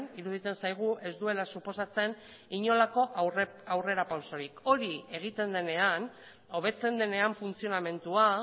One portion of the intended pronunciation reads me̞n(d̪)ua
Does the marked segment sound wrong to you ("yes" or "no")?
yes